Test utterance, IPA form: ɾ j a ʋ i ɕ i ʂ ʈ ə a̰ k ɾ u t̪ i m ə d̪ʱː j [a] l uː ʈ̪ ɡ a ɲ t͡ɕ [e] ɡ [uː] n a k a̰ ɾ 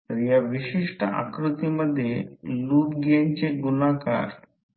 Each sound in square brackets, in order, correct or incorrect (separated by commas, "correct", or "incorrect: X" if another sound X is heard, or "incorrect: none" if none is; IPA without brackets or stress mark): incorrect: e, correct, incorrect: u